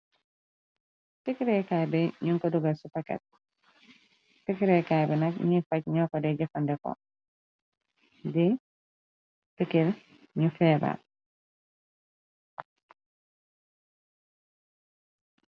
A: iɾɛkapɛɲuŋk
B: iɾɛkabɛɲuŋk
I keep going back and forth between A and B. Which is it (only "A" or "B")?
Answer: B